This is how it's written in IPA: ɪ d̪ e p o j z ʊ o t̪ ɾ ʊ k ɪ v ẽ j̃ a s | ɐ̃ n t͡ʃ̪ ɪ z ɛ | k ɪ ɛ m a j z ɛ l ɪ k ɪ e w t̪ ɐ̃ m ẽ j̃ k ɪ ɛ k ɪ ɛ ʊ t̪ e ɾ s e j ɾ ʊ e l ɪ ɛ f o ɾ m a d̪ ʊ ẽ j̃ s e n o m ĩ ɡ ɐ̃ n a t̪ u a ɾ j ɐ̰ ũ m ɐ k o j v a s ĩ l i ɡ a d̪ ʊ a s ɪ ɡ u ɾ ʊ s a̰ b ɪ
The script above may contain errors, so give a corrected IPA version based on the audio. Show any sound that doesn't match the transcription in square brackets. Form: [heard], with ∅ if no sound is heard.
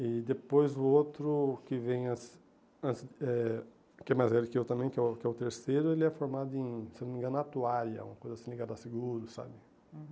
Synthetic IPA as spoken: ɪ d̪ e p o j z ʊ o t̪ ɾ ʊ k ɪ v ẽ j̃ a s | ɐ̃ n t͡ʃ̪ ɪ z ɛ | k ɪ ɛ m a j z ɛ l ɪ k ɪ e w t̪ ɐ̃ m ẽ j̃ k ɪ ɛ k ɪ ɛ ʊ t̪ e ɾ s e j ɾ ʊ e l ɪ ɛ f o ɾ m a d̪ ʊ ẽ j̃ s e n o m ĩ ɡ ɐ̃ n a t̪ u a ɾ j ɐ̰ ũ m ɐ k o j [z] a s ĩ l i ɡ a d̪ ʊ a s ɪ ɡ u ɾ ʊ s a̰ b ɪ